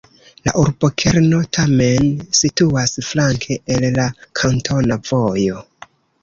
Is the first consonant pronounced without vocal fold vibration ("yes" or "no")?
no